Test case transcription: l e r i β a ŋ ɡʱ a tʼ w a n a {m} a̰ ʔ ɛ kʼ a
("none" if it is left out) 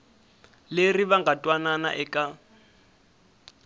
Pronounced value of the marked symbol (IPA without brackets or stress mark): n